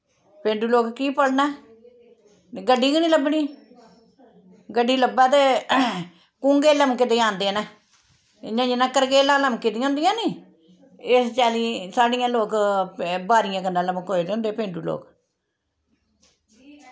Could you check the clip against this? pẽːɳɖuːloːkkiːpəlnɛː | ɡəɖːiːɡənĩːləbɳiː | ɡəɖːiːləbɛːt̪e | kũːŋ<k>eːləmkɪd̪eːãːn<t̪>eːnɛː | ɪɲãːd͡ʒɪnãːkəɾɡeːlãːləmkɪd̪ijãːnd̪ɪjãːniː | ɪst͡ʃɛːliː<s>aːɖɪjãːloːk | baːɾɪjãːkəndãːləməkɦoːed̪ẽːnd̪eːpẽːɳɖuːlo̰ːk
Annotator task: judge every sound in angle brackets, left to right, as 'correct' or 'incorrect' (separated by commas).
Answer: incorrect, incorrect, correct